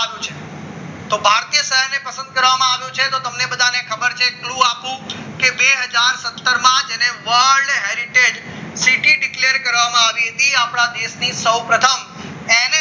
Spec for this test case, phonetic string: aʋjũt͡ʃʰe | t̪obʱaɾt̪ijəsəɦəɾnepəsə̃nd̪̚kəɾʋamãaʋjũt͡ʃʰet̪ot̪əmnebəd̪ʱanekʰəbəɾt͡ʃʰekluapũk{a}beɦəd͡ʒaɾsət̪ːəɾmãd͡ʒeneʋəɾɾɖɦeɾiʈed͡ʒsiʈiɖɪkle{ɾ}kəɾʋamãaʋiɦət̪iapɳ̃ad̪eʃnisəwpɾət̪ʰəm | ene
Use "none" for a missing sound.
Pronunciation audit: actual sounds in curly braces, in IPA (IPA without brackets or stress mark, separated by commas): e, ɾ